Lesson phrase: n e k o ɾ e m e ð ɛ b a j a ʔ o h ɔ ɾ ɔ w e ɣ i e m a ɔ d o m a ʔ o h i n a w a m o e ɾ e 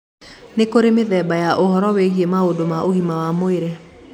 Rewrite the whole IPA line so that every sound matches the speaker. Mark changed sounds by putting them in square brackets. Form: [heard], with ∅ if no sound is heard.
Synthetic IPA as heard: n e k o ɾ e m e ð ɛ b a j a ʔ o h ɔ ɾ ɔ w e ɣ i e m a [o] d o m a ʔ o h i [m] a w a m o e ɾ e